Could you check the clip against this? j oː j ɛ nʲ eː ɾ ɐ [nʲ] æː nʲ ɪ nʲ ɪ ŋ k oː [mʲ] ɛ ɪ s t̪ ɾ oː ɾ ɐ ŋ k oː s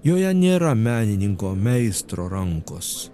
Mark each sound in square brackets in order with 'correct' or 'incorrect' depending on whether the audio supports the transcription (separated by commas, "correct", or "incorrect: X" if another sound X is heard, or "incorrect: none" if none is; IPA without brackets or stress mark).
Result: incorrect: mʲ, correct